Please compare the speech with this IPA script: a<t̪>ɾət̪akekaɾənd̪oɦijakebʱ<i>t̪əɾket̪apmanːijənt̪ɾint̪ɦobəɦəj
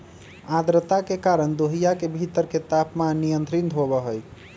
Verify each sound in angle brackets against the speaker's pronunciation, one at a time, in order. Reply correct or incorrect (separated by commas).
incorrect, correct